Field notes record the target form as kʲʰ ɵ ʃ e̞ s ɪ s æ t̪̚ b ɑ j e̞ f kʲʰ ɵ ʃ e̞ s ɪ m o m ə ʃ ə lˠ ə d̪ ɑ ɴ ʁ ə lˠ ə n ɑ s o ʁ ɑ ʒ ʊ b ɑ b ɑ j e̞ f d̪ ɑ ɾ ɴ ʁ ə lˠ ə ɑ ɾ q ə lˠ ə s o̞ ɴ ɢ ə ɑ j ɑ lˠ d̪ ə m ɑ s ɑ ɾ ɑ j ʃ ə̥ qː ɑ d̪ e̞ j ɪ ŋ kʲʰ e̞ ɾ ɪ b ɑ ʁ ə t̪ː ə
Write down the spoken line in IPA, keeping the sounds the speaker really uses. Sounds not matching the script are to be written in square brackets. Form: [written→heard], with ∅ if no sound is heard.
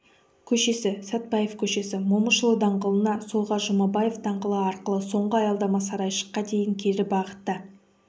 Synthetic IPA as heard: kʲʰ ɵ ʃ e̞ s ɪ s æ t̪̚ b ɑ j e̞ f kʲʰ ɵ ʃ e̞ s ɪ m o m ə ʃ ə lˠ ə d̪ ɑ ɴ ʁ ə lˠ ə n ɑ s o ʁ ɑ ʒ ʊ [b→m] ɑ b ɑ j e̞ f d̪ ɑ [ɾ→∅] ɴ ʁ ə lˠ ə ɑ ɾ q ə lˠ ə s o̞ ɴ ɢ ə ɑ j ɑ lˠ d̪ [ə→ɑ] m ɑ s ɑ ɾ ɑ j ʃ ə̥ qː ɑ d̪ e̞ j ɪ ŋ kʲʰ e̞ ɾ ɪ b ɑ ʁ ə t̪ː ə